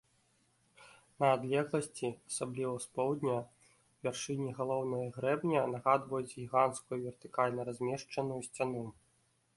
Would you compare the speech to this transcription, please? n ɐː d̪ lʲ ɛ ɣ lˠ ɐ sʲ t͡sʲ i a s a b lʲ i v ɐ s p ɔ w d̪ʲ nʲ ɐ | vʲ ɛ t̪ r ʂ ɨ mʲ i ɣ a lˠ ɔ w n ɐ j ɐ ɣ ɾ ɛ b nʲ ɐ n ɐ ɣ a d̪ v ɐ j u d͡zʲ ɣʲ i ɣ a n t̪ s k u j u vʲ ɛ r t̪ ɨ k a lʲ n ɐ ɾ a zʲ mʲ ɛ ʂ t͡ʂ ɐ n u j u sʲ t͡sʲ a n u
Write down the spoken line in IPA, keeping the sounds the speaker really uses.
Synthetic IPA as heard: n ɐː d̪ lʲ ɛ ɣ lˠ ɐ sʲ t͡sʲ i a s a b lʲ i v ɐ s p ɔ w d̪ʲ nʲ ɐ | vʲ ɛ r ʂ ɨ nʲ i ɣ a lˠ ɔ w n ɐ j ɐ ɣ ɾ ɛ b nʲ ɐ n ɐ ɣ a d̪ v ɐ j u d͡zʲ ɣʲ i ɣ a n t̪ s k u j u vʲ ɛ r t̪ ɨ k a lʲ n ɐ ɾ a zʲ mʲ ɛ ʂ t͡ʂ ɐ n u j u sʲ t͡sʲ a n u